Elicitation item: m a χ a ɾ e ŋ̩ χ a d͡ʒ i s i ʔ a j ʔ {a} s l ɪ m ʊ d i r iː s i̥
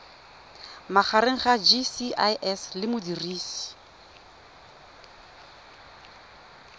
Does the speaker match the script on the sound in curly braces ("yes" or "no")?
no